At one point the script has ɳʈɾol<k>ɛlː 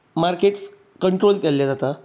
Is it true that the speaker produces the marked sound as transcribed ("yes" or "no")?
yes